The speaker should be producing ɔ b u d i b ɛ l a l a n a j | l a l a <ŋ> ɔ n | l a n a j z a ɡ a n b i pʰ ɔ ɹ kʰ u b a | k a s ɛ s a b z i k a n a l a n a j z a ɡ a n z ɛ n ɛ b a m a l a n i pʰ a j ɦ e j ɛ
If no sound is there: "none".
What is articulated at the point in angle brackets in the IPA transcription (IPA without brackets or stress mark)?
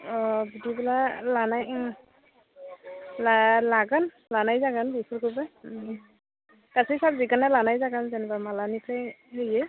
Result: ɡ